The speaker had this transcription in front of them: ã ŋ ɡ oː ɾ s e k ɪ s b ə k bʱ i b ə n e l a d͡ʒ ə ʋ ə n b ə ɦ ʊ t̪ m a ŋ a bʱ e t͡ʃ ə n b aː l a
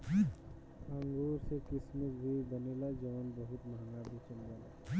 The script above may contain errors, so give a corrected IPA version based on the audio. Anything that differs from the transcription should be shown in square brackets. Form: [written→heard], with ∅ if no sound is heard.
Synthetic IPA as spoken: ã ŋ ɡ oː ɾ s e k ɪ s [b→m] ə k bʱ i b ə n e l a d͡ʒ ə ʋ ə n b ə ɦ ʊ t̪ m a ŋ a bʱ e t͡ʃ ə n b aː l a